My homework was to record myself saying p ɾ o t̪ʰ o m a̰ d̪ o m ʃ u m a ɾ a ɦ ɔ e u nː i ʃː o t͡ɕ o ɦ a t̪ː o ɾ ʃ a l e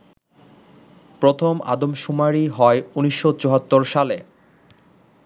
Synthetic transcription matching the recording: p ɾ o t̪ʰ o m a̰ d̪ o m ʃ u m a ɾ i ɦ ɔ e u n i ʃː o t͡ɕ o ɦ a t̪ː o ɾ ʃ a l e